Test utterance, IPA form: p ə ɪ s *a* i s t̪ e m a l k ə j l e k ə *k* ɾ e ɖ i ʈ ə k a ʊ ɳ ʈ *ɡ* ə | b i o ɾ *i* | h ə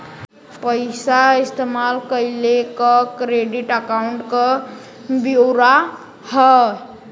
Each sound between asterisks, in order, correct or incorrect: correct, correct, incorrect: k, incorrect: a

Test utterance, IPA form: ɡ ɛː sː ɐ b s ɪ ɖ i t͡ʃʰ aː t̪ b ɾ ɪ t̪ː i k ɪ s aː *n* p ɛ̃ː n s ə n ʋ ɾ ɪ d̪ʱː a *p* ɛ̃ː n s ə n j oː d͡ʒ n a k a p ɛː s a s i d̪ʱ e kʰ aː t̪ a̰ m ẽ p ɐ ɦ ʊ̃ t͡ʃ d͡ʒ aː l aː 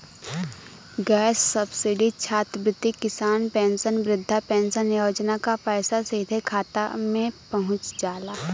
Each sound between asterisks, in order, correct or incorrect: correct, correct

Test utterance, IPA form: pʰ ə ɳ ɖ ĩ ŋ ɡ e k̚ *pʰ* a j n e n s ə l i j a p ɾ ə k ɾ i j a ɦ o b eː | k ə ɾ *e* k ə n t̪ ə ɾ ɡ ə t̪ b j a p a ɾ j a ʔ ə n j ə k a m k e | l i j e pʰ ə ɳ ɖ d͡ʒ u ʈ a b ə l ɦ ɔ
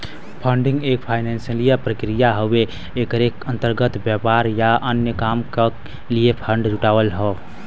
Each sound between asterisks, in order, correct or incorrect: correct, correct

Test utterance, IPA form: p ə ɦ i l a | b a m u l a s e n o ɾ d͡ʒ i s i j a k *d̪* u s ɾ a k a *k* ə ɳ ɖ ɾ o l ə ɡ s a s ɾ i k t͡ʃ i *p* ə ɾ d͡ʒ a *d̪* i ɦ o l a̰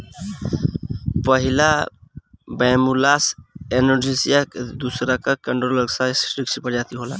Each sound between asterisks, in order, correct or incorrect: correct, correct, correct, incorrect: t̪

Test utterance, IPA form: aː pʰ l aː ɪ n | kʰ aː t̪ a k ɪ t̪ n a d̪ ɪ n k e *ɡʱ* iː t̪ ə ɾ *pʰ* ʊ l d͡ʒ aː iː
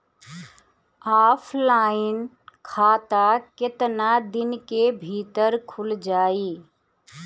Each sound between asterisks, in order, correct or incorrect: incorrect: bʱ, incorrect: kʰ

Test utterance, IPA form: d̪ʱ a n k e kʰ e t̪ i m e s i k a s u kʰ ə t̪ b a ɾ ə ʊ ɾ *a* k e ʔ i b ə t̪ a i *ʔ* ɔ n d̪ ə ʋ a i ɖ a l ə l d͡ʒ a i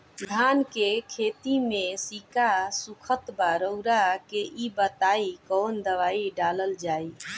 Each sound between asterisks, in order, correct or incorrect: correct, incorrect: k

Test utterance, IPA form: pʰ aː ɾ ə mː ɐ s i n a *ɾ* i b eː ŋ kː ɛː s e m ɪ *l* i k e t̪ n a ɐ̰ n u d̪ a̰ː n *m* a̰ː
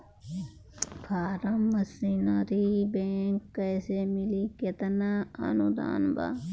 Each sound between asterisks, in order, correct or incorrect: correct, correct, incorrect: b

